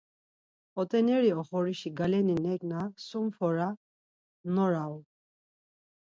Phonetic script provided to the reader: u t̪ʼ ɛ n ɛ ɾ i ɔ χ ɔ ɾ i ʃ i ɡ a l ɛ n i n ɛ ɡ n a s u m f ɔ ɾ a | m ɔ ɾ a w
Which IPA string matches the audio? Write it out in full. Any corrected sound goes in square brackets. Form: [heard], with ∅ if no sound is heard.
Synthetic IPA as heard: [ɔ] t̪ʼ ɛ n ɛ ɾ i ɔ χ ɔ ɾ i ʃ i ɡ a l ɛ n i n ɛ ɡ n a s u m f ɔ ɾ a | [n] ɔ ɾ a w